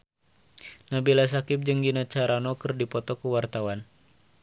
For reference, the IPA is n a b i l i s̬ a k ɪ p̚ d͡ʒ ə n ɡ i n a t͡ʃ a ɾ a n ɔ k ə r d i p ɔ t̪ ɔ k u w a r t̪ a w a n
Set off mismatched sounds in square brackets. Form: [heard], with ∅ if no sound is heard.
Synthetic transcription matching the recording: n a b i l [a] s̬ a k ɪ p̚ d͡ʒ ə [ŋ] ɡ i n a t͡ʃ a ɾ a n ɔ k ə r d i p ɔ t̪ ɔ k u w a r t̪ a w a n

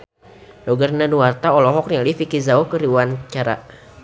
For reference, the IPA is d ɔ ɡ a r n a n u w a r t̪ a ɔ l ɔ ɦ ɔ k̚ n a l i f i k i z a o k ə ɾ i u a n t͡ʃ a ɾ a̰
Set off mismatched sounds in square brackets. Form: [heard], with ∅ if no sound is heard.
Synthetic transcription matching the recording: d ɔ ɡ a r n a n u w a r t̪ a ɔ l ɔ ɦ ɔ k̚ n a l i f i k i z a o k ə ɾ i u a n t͡ʃ a ɾ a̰

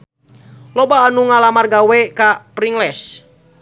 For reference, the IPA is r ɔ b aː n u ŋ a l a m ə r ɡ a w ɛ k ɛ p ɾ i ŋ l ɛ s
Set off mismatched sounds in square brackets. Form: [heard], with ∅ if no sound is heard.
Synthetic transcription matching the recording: [l] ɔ b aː n u ŋ a l a m [a] r ɡ a w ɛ k [a] p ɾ i ŋ l ɛ s

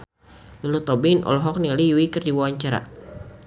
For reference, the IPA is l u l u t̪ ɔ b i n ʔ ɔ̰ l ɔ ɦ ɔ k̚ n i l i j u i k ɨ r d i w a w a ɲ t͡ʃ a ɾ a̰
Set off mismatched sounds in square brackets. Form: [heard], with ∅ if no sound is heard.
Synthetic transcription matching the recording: l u l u t̪ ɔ b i n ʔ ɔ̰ l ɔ ɦ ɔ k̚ n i l i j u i k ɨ r d i w a w a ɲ t͡ʃ a ɾ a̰

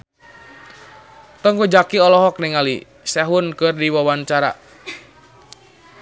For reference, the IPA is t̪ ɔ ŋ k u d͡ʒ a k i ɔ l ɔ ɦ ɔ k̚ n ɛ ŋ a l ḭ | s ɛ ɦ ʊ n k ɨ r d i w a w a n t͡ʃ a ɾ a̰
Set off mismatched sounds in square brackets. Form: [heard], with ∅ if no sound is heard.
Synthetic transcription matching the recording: t̪ ɔ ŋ k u d͡ʒ a k i ɔ l ɔ ɦ ɔ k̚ n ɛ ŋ a l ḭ | s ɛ ɦ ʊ n k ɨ r d i w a w a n t͡ʃ a ɾ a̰

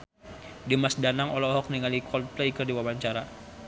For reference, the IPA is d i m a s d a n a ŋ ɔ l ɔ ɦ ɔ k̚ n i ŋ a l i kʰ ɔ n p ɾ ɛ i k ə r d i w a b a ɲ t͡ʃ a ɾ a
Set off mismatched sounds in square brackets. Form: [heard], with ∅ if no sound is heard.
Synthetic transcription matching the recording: d i m a s d a n a ŋ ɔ l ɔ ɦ ɔ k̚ n i ŋ a l i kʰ ɔ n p [l] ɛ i k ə r d i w a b a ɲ t͡ʃ a ɾ a

